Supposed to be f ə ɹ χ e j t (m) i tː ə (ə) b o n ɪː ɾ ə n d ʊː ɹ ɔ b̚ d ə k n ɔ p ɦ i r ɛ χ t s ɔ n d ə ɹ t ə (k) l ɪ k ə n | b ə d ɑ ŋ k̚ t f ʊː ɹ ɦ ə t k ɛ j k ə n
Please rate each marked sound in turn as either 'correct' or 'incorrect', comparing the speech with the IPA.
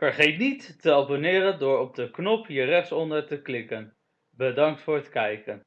incorrect: n, incorrect: ɑ, correct

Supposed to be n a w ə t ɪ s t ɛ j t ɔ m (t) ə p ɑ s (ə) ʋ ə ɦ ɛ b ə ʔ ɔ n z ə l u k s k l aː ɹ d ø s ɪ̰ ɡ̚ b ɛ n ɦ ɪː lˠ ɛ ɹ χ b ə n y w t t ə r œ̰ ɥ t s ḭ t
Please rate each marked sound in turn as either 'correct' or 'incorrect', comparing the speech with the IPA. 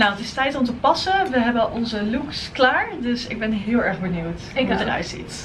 correct, correct

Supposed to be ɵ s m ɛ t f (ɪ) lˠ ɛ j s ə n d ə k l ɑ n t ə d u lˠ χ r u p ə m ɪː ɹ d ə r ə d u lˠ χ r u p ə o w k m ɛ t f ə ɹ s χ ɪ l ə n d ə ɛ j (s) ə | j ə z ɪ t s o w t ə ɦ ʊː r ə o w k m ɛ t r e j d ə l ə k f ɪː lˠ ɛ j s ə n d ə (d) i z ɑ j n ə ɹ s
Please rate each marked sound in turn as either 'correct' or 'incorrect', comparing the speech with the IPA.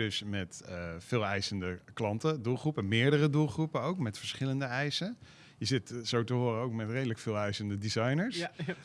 incorrect: ɪː, correct, correct

